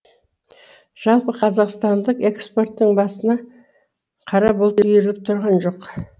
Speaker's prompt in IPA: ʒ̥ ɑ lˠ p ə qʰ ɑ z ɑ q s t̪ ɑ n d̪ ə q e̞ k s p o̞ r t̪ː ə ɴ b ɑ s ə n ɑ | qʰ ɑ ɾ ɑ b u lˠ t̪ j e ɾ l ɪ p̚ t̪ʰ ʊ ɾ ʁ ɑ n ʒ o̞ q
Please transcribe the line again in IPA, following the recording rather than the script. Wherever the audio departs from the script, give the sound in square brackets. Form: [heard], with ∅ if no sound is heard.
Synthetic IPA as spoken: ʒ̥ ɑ lˠ p ə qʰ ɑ z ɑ q s t̪ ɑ n d̪ ə q e̞ k s p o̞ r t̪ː ə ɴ b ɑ s ə n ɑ | qʰ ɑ ɾ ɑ b [o] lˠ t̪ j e ɾ l ɪ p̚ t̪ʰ ʊ ɾ ʁ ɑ n ʒ o̞ q